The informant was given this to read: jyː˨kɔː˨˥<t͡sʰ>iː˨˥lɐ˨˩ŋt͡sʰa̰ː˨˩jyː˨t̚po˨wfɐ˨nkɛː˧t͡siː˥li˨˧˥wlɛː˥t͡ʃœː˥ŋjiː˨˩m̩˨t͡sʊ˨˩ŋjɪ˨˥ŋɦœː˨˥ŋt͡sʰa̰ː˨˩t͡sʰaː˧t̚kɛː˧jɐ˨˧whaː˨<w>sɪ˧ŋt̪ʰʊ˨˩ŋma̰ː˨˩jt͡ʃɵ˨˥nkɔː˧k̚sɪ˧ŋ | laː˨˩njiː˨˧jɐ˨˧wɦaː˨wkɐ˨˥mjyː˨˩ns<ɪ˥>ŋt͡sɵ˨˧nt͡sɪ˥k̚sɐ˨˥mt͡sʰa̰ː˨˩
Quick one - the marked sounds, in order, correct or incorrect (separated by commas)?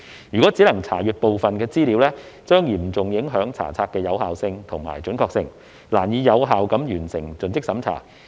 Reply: incorrect, correct, incorrect